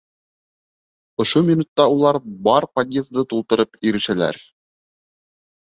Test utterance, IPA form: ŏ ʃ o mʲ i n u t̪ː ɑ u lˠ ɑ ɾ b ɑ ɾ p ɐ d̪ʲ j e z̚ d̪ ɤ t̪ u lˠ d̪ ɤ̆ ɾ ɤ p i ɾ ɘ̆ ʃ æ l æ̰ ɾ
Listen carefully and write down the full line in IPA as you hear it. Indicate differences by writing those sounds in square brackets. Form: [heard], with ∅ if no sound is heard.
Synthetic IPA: ŏ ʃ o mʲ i n u t̪ː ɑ u lˠ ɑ ɾ b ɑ ɾ p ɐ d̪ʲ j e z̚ d̪ ɤ t̪ u lˠ [t̪] ɤ̆ ɾ ɤ p i ɾ ɘ̆ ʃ æ l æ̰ ɾ